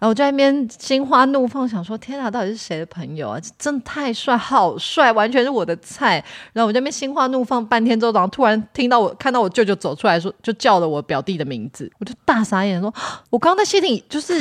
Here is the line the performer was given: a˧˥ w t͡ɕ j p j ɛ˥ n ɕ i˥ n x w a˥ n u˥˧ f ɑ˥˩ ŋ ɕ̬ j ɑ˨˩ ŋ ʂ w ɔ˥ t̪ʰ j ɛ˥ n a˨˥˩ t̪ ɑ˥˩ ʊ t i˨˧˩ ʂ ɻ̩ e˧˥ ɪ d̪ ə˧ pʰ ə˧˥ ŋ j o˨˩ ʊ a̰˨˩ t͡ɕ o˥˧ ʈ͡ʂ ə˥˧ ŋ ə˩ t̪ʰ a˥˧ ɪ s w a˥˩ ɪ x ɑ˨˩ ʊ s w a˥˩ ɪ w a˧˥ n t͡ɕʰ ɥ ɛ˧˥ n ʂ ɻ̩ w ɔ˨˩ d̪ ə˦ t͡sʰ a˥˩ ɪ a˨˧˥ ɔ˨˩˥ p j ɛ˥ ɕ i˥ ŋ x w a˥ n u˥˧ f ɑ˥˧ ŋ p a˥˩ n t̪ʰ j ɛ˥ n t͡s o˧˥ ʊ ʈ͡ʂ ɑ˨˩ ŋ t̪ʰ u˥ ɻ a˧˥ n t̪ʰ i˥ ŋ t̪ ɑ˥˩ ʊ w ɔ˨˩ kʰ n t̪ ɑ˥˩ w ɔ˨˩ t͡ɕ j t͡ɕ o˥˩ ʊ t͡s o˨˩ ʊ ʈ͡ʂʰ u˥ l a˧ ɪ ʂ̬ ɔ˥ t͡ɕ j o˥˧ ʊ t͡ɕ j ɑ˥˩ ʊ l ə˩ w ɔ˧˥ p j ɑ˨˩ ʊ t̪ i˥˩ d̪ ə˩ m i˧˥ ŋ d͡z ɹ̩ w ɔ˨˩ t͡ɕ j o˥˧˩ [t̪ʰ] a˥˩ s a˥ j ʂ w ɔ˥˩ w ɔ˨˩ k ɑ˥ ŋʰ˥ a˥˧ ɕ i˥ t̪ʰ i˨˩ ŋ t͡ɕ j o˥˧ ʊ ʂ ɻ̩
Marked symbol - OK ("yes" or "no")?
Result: no